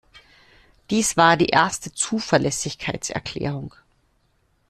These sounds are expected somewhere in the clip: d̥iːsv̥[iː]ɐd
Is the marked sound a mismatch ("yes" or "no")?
yes